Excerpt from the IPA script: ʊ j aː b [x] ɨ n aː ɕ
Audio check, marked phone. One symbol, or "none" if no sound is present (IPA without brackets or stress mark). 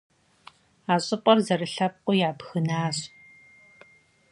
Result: x